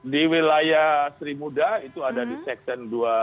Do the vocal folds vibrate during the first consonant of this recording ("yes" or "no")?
yes